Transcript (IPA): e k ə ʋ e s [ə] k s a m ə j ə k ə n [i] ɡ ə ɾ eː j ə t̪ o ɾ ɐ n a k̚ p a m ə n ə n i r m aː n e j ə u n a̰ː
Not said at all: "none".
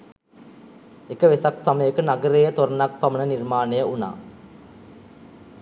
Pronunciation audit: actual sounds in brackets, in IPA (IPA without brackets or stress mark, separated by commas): a, a